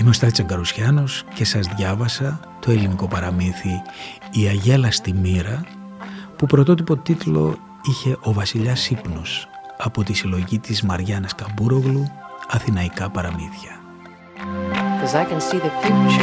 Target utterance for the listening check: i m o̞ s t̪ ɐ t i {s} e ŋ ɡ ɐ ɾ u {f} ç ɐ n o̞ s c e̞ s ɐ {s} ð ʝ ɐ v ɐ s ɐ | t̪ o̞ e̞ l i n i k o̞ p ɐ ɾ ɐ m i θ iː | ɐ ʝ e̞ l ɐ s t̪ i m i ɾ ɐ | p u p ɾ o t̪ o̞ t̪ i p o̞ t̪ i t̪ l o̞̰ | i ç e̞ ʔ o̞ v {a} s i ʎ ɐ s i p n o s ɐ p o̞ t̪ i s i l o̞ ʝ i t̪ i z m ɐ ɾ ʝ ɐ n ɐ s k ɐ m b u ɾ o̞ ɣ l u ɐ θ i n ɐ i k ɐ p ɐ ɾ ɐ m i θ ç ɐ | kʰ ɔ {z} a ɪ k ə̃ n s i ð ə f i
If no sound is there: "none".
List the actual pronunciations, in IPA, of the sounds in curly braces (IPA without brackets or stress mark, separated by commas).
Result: t͡s, s, z, ɐ, z